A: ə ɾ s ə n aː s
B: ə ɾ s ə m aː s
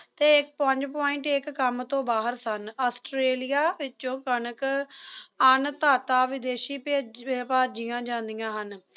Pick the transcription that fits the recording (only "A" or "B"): A